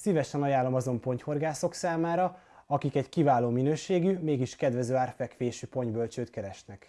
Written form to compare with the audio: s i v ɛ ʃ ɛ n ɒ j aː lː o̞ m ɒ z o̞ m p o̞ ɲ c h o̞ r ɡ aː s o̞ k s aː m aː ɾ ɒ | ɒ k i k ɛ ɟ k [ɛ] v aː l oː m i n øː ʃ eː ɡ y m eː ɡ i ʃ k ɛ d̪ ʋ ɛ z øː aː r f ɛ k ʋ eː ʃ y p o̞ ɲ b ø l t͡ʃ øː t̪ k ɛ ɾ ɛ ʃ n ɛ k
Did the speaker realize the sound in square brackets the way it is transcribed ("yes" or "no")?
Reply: no